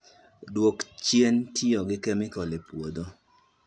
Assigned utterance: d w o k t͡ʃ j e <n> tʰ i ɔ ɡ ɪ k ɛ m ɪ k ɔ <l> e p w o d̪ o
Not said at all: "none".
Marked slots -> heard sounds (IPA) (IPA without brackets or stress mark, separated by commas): n, l